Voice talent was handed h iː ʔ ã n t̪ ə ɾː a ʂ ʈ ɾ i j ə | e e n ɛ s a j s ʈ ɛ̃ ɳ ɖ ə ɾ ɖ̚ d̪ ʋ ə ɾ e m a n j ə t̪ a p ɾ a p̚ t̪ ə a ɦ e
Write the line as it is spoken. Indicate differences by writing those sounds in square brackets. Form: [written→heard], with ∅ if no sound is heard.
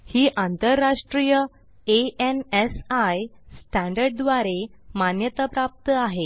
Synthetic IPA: h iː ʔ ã n t̪ ə ɾː a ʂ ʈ ɾ i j ə | e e n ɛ s a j s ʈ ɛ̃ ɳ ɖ ə ɾ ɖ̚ d̪ ʋ [ə→a] ɾ e m a n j ə t̪ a p ɾ a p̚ t̪ ə a ɦ e